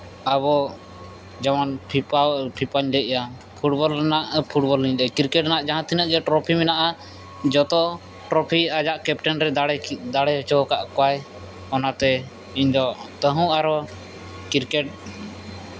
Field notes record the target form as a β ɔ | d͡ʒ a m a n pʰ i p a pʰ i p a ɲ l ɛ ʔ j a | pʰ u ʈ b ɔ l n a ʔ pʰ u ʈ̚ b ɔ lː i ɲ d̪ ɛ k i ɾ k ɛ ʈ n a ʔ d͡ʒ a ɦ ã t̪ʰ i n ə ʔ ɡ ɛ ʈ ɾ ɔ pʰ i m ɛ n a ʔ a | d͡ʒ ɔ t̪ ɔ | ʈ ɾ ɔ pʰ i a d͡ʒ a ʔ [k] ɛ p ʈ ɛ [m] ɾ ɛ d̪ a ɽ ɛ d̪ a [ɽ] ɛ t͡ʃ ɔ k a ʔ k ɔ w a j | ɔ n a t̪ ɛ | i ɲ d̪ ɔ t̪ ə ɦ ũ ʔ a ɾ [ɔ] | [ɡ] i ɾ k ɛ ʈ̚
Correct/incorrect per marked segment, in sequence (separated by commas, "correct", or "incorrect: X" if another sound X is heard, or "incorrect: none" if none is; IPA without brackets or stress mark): correct, incorrect: n, correct, correct, incorrect: k